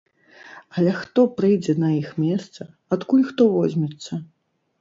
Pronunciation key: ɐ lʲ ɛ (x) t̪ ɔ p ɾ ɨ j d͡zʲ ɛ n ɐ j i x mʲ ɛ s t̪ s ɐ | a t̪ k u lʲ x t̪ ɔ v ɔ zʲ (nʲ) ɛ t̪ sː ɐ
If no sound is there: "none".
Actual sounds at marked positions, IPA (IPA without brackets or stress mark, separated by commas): x, mʲ